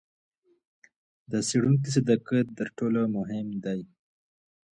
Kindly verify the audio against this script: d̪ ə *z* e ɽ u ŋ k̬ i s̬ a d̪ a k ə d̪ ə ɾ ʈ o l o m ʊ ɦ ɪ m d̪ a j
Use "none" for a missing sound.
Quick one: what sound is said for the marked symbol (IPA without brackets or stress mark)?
s